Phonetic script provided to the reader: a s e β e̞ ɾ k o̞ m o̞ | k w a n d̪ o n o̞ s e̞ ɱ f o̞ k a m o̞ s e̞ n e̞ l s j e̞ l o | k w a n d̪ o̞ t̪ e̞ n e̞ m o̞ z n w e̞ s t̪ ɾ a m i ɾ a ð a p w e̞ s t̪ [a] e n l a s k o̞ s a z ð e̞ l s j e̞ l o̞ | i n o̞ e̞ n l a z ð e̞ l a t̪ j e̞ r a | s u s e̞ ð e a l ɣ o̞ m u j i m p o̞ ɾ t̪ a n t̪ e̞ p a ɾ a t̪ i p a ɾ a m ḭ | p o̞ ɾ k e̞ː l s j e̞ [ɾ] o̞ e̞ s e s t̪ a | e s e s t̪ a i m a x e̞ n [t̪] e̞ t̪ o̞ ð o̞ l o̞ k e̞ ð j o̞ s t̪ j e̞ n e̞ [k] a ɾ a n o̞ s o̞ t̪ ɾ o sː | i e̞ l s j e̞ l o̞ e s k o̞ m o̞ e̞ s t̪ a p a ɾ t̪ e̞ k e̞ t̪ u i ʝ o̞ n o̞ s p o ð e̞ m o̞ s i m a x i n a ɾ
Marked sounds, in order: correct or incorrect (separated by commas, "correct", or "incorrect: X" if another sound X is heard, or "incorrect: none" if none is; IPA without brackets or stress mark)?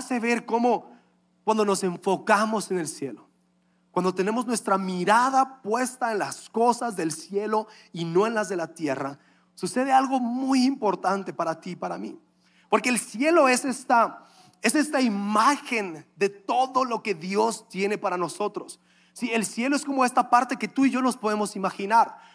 correct, incorrect: l, incorrect: d̪, incorrect: p